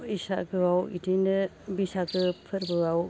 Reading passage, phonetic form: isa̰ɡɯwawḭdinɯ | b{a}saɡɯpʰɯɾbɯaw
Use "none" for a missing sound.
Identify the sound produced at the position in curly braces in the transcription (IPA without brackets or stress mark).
i